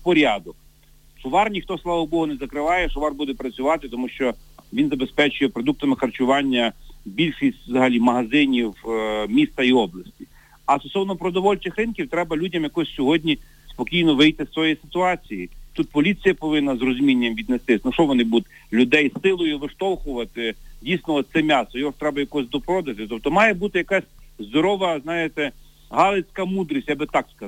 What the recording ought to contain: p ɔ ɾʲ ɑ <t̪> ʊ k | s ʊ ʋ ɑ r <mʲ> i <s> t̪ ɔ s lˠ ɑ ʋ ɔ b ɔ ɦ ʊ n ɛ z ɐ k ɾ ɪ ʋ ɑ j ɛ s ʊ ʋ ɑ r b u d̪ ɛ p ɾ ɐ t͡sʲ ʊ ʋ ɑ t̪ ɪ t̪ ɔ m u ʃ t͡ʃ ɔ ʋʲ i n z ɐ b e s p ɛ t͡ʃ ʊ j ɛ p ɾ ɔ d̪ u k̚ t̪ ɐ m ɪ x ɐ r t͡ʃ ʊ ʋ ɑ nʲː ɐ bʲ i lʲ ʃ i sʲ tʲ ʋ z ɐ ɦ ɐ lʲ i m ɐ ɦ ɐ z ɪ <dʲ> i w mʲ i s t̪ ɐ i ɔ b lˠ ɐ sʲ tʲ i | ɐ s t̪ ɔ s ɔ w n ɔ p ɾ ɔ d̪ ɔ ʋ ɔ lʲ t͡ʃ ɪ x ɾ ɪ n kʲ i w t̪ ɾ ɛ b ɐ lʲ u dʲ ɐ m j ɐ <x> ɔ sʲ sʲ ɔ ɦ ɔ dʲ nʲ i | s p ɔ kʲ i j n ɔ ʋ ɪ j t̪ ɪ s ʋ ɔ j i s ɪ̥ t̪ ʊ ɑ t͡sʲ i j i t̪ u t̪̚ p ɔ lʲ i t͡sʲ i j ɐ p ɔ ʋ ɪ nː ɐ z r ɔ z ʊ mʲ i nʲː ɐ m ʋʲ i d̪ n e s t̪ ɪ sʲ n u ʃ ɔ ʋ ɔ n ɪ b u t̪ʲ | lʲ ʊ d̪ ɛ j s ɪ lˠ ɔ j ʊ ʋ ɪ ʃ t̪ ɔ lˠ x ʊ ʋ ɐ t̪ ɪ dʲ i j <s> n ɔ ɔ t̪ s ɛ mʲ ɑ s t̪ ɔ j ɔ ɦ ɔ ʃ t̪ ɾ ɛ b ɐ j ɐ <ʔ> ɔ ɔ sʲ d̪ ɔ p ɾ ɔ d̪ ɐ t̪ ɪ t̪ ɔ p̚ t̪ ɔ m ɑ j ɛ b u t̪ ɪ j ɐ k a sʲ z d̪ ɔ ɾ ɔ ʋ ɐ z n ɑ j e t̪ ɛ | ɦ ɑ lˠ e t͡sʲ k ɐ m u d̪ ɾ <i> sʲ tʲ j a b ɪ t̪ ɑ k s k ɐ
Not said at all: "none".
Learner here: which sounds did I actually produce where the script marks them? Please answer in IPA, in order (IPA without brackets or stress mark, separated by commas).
d̪, nʲ, x, nʲ, k, s, k, i